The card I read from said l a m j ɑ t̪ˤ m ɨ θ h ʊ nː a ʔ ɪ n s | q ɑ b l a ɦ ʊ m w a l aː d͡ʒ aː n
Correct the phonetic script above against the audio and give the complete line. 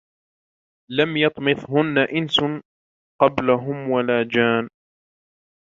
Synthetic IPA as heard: l a m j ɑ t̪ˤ m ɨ θ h ʊ nː a ʔ ɪ n s | q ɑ b l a ɦ ʊ m w a l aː d͡ʒ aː n